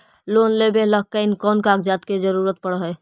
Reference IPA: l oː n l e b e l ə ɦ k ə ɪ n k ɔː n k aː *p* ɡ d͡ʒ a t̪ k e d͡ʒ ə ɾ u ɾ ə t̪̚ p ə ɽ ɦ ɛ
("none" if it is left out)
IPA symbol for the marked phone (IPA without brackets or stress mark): none